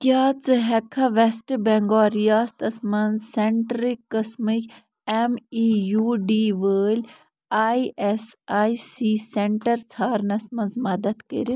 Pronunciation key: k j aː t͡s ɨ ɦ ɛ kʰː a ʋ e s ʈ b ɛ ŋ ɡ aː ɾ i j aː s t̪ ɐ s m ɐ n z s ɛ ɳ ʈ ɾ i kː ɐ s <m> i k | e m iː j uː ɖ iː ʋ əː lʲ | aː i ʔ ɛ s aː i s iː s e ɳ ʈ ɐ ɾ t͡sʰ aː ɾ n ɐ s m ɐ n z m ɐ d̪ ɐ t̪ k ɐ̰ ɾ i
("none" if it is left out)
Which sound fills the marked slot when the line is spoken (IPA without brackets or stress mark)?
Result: m